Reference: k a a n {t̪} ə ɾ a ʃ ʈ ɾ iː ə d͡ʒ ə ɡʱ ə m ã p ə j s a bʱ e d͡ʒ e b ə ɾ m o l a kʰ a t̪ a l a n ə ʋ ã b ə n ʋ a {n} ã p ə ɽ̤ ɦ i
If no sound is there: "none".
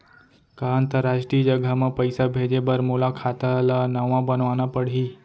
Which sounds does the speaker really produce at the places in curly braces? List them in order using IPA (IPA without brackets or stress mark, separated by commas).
t̪, n